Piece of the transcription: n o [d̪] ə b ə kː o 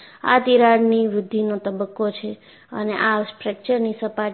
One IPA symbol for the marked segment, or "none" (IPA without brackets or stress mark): t̪